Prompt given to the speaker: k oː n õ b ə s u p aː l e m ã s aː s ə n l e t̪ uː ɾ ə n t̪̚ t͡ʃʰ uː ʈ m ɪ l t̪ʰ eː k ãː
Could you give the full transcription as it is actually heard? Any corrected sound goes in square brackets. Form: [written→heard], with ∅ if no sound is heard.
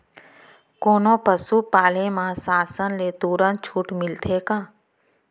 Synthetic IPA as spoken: k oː n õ [b→p] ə s u p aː l e m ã s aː s ə n l e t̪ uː ɾ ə n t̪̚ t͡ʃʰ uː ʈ m ɪ l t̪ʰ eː k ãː